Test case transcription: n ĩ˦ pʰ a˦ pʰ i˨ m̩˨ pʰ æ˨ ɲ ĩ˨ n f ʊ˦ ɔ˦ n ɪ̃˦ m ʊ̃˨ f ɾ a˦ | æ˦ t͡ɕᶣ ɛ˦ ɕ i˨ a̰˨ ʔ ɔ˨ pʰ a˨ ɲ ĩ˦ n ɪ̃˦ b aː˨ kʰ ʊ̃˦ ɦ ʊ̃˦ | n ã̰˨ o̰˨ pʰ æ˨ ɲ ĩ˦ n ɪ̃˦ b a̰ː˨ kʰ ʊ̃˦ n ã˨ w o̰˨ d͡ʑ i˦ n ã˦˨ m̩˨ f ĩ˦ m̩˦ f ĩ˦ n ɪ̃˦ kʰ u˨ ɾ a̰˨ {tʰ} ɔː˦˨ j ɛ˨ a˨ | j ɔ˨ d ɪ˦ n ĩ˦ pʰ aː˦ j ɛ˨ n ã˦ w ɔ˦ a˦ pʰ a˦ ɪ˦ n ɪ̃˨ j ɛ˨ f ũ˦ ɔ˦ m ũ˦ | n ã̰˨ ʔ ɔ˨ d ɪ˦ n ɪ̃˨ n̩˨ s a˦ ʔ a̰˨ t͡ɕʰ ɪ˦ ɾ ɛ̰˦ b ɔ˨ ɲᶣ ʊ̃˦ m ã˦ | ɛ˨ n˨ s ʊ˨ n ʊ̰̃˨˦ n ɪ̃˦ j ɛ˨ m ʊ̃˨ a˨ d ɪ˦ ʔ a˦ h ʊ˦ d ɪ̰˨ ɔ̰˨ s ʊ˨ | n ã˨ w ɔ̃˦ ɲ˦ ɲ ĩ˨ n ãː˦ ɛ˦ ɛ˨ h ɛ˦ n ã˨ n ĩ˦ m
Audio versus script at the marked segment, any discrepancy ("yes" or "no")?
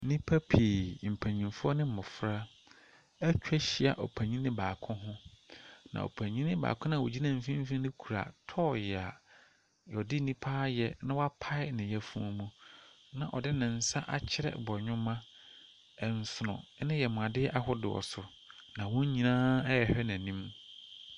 no